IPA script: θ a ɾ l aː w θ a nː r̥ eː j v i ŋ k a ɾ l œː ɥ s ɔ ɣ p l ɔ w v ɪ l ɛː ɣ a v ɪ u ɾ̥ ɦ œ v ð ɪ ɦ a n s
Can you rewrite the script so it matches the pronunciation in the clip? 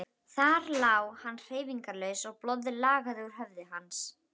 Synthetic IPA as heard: θ a ɾ l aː w h a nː r̥ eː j v i ŋ k a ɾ l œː ɥ s ɔ ɣ p l ɔ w ð ɪ l aː ɣ a ð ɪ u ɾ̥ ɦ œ v ð ɪ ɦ a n s